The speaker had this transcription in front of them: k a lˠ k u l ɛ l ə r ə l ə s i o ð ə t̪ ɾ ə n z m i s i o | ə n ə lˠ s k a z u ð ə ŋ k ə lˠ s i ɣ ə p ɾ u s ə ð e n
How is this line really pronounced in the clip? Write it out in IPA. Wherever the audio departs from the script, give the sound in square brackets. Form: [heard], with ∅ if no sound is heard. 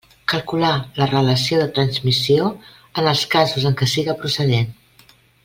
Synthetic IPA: k [ə] lˠ k u l [a] l ə r ə l ə s i o ð ə t̪ ɾ ə n z m i s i o | ə n ə lˠ s k a z u [z] ə ŋ k ə [∅] s i ɣ ə p ɾ u s ə ð e n